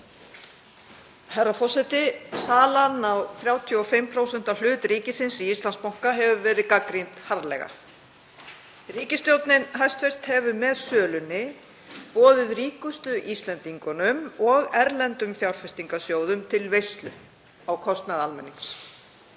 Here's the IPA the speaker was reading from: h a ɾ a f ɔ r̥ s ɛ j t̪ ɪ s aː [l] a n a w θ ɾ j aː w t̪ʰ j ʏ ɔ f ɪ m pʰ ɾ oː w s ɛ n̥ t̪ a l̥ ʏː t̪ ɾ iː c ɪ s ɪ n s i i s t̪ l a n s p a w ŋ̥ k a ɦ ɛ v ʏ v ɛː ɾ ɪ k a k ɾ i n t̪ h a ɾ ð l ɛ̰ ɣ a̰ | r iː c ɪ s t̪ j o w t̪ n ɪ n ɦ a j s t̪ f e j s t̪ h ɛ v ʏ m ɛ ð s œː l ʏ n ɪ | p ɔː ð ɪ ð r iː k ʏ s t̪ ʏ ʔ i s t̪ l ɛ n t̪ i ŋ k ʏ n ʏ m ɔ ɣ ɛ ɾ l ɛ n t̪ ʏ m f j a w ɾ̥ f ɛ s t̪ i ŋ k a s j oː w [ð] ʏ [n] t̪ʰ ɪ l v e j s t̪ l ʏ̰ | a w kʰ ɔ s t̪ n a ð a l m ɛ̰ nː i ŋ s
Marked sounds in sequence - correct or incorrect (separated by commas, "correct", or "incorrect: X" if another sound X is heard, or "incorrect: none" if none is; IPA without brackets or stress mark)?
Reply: correct, correct, incorrect: m